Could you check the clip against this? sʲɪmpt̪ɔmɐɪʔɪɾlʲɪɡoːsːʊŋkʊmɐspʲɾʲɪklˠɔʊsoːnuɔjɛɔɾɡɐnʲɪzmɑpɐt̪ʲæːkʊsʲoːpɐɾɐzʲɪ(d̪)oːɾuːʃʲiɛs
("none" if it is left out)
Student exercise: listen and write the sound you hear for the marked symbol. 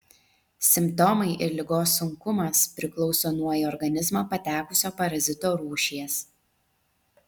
t̪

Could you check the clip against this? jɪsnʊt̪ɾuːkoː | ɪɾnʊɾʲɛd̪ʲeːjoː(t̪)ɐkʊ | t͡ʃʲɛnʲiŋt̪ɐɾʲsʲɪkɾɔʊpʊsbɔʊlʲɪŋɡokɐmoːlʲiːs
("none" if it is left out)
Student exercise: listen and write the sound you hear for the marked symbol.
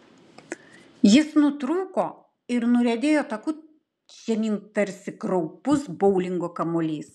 t̪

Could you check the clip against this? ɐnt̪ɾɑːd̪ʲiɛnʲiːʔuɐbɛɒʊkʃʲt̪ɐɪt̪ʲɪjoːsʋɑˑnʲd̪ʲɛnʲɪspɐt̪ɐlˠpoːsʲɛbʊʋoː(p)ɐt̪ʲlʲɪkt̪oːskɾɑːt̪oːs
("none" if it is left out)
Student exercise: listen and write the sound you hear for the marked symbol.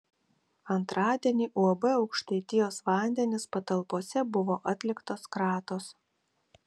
ʔ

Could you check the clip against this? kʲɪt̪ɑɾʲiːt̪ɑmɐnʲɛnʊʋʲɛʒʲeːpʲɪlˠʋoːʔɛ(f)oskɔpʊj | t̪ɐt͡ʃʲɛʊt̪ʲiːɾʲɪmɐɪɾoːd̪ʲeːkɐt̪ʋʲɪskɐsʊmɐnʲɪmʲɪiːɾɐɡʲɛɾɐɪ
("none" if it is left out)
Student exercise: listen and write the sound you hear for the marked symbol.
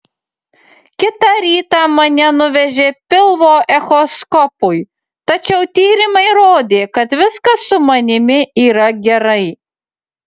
x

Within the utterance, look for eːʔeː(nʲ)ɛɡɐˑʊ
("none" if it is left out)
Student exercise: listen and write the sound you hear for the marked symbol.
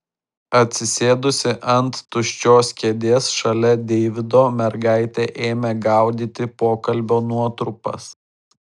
mʲ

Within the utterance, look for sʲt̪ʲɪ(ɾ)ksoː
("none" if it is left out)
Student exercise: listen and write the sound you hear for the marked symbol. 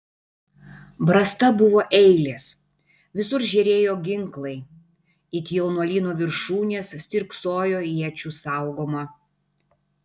ɾ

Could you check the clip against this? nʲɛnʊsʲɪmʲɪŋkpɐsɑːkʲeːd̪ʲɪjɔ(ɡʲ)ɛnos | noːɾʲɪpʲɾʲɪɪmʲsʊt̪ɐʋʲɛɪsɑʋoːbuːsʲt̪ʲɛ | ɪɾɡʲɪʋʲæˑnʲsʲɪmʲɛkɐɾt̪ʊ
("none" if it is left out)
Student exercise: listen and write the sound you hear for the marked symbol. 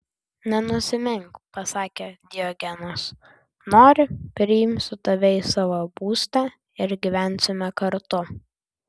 ɡʲ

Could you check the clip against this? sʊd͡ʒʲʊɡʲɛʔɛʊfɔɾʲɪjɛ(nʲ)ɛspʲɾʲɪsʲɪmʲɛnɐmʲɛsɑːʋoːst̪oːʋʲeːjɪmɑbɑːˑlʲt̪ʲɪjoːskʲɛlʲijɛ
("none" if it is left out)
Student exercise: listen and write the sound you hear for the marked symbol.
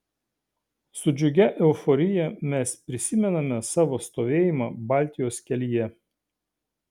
mʲ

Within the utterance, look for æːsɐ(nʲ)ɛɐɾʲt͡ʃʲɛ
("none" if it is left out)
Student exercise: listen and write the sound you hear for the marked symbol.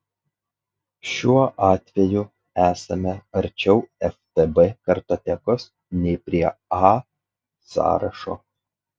mʲ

